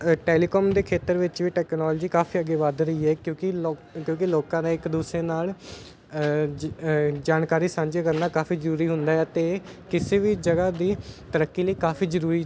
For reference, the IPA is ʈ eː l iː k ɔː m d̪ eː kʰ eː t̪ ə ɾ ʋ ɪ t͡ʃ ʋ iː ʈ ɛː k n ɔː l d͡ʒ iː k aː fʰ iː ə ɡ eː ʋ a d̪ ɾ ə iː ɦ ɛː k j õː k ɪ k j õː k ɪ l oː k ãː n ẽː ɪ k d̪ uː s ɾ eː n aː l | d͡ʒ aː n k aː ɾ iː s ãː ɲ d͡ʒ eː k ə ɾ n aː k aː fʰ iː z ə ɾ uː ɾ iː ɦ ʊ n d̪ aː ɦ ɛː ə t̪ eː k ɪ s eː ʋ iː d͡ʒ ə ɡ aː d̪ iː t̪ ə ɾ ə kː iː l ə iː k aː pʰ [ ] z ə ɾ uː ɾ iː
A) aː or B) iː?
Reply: B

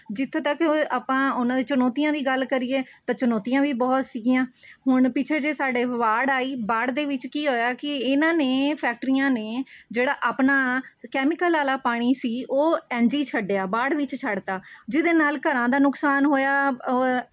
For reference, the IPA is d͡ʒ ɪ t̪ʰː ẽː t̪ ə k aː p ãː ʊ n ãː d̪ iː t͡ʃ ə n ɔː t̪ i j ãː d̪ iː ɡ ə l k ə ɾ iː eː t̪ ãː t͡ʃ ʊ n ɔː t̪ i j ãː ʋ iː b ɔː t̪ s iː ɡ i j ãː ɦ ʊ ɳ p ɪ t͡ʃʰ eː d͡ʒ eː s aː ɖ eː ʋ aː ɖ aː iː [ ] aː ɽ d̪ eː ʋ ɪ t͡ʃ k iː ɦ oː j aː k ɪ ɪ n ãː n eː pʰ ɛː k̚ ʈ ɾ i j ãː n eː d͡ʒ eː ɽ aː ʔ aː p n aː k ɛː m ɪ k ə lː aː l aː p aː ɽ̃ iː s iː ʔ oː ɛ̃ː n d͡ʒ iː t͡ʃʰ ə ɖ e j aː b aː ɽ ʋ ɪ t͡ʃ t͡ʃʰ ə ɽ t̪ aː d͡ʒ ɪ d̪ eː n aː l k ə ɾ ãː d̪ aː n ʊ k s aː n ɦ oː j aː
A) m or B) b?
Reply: B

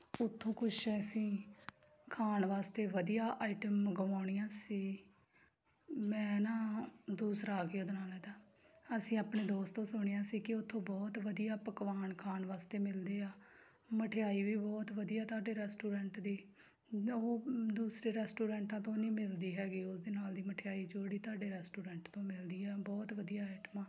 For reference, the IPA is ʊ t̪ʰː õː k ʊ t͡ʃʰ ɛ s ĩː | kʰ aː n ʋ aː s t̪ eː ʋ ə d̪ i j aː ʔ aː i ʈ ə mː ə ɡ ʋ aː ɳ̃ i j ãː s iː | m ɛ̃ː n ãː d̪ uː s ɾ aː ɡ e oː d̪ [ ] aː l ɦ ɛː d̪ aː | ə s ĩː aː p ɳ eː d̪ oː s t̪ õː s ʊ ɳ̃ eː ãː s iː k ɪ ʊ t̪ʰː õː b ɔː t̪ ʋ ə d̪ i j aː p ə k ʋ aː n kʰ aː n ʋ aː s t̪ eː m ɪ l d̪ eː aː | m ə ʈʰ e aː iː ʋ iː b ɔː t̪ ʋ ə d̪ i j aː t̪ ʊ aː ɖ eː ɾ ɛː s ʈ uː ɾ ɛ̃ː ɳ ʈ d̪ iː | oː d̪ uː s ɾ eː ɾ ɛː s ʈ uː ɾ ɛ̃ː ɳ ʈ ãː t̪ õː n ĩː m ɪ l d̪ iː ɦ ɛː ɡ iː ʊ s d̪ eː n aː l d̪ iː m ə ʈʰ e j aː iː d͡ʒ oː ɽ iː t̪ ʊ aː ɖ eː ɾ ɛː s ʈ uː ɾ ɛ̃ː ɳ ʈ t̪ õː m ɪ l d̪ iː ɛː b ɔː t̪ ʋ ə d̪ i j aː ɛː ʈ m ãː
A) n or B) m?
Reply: A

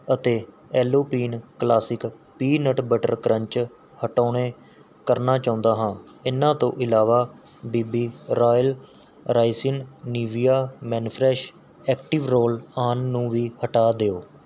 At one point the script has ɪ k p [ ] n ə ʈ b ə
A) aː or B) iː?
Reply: B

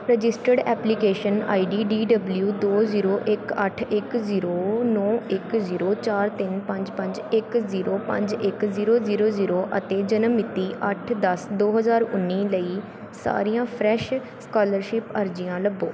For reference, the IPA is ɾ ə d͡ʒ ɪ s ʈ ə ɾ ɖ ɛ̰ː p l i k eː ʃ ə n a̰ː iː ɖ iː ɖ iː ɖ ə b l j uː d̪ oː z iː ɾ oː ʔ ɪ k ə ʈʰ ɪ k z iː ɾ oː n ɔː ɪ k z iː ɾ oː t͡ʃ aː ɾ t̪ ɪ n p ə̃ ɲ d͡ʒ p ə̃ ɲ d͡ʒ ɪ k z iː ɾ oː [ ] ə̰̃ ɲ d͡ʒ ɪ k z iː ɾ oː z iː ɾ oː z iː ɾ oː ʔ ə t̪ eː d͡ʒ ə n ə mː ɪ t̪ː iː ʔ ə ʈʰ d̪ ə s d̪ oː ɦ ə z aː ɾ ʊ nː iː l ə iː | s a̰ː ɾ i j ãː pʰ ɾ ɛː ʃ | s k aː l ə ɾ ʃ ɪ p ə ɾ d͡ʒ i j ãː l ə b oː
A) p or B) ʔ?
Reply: A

